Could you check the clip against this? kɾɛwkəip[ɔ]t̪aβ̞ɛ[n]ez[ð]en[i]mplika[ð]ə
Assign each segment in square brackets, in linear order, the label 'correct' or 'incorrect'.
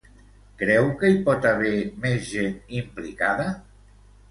correct, incorrect: m, incorrect: ʒ, correct, correct

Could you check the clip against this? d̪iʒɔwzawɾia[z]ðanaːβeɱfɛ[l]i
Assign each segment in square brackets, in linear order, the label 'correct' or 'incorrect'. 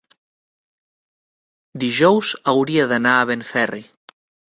incorrect: none, incorrect: r

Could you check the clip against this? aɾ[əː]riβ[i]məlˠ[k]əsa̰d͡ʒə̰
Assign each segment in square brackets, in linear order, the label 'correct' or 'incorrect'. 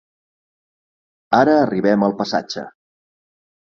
correct, incorrect: ɛ, incorrect: p

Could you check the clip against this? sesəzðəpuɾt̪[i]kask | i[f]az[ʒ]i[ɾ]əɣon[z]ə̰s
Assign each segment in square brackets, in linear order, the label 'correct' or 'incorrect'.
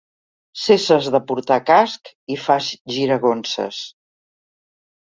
incorrect: a, correct, correct, correct, incorrect: s

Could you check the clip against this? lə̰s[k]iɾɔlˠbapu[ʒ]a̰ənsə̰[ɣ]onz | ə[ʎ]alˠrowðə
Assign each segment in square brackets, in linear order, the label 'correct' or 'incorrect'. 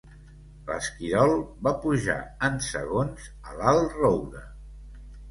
correct, correct, correct, incorrect: l

